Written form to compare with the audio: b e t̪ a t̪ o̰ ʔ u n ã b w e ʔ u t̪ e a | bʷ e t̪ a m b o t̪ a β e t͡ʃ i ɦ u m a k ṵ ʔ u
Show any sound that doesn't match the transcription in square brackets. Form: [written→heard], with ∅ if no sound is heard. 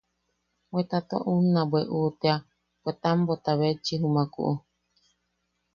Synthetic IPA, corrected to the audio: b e t̪ a t̪ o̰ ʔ u n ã b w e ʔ u t̪ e a | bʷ e t̪ a m b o t̪ a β e t͡ʃ i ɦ u m a k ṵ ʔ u